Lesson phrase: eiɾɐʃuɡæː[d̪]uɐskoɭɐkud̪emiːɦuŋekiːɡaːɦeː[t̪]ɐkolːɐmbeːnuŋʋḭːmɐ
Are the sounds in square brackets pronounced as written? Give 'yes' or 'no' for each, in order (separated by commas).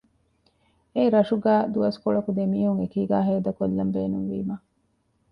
yes, no